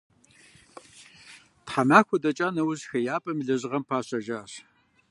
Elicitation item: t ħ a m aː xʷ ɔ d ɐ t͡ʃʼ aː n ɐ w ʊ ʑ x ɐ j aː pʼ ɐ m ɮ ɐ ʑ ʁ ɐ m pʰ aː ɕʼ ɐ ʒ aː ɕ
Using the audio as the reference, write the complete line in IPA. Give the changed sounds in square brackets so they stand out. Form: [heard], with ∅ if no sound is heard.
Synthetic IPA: t ħ a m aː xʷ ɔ d ɐ t͡ʃʼ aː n ɐ w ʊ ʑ x ɐ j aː pʼ ɐ m ɮ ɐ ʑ ʁ ɐ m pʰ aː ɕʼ ɐ ʒ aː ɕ